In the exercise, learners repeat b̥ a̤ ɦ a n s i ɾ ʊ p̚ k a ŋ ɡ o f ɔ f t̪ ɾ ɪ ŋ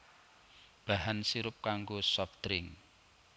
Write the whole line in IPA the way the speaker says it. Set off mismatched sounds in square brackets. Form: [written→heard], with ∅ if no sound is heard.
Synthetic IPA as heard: b̥ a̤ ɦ a n s i ɾ ʊ p̚ k a ŋ ɡ o [f→s] ɔ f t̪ ɾ ɪ ŋ

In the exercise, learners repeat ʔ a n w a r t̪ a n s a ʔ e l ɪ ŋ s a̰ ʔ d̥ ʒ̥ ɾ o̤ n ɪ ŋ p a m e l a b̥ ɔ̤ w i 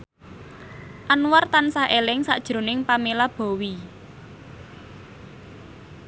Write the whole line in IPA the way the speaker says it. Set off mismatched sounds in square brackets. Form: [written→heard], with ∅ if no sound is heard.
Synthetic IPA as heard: ʔ a n w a r t̪ a n s a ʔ e l ɪ ŋ s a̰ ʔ d̥ ʒ̥ ɾ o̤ n ɪ ŋ p a m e l a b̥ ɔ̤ w i

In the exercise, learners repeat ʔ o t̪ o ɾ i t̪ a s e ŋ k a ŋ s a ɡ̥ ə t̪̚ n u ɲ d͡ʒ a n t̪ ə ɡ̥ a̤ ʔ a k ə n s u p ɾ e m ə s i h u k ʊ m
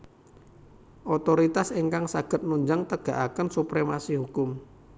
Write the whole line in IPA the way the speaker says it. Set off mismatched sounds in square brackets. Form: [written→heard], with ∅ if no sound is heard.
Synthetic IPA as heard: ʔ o t̪ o ɾ i t̪ a s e ŋ k a ŋ s a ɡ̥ ə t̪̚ n u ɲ d͡ʒ a [n→ŋ] t̪ ə ɡ̥ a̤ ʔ a k ə n s u p ɾ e m [ə→a] s i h u k ʊ m

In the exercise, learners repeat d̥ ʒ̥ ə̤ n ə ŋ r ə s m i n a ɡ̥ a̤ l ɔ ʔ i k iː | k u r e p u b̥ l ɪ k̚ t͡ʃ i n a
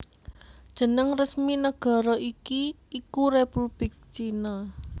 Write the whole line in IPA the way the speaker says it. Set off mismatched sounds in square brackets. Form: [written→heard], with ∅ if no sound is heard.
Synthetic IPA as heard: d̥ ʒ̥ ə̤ n ə ŋ r ə s m i n [a→ə] ɡ̥ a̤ [l→ɾ] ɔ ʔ i k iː | k u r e p u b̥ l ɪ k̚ t͡ʃ i n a

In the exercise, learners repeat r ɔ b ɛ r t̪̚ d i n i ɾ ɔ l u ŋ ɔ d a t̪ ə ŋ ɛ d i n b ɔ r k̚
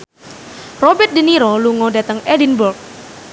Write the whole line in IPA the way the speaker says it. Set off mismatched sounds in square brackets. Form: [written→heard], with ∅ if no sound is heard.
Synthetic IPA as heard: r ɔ b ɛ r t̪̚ d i n i ɾ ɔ l u ŋ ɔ d a t̪ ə ŋ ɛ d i n b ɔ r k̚

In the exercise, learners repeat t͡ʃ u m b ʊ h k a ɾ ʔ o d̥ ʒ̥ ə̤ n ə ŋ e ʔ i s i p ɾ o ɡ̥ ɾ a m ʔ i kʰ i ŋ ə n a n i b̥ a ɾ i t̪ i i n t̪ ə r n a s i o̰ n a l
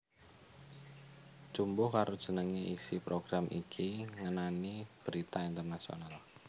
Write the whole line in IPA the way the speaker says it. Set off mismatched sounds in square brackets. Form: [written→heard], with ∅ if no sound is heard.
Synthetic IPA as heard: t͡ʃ u m b ʊ h k a ɾ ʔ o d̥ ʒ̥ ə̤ n ə ŋ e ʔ i s i p ɾ o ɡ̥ ɾ a m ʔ i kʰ i ŋ ə n a n i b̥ [a→ə] ɾ i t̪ [i→a] i n t̪ ə r n a s i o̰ n a l

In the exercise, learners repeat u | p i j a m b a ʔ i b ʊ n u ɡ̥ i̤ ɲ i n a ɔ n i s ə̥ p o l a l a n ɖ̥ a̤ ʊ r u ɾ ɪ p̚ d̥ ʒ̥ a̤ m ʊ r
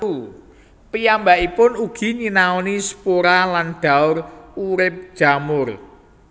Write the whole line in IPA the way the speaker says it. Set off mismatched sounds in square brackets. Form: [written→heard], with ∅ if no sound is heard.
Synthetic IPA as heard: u | p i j a m b a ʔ i [b→p] ʊ n u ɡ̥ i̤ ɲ i n a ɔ n i s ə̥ p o [l→ɾ] a l a n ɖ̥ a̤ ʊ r u ɾ ɪ p̚ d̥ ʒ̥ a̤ m ʊ r

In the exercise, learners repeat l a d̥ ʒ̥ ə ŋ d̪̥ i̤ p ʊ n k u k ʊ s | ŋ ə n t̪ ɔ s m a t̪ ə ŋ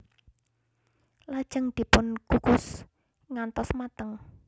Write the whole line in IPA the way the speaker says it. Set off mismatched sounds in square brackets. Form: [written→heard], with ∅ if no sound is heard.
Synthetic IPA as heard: l a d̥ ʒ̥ ə ŋ d̪̥ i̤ p ʊ n k u k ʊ s | ŋ [ə→a] n t̪ ɔ s m a t̪ ə ŋ

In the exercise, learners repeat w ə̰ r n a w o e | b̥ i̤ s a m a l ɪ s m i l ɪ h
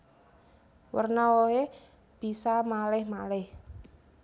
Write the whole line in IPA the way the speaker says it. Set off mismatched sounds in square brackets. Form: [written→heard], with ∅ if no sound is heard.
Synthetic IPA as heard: w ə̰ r n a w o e | b̥ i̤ s a m a l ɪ [s→h] m [i→a] l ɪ h

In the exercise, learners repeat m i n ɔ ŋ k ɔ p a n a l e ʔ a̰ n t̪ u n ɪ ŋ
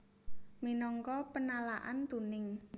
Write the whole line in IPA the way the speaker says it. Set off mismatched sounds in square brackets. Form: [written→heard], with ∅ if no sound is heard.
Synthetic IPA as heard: m i n ɔ ŋ k ɔ p [a→ə] n a l [e→a] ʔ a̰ n t̪ u n ɪ ŋ

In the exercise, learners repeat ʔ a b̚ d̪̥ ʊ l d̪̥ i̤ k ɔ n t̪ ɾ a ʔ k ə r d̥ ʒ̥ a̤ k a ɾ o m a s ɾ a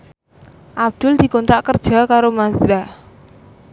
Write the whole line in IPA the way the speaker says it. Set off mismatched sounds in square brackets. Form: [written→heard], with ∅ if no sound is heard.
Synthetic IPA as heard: ʔ a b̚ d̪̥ ʊ l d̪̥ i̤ k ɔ n t̪ ɾ a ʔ k ə r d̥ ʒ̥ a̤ k a ɾ o m a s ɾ a

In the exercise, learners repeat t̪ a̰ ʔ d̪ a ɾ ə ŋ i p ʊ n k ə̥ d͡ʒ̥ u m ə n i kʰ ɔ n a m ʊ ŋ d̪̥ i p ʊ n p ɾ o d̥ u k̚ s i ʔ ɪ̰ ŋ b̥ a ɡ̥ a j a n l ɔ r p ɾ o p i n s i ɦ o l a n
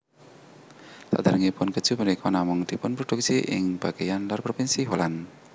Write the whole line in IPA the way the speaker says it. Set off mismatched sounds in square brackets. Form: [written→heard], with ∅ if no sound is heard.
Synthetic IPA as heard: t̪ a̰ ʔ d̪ a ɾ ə ŋ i p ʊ n k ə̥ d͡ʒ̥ u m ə n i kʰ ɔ n a m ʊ ŋ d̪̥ i p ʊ n p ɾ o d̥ u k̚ s i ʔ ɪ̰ ŋ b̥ a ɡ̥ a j a n l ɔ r p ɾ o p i n s i ɦ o l a n

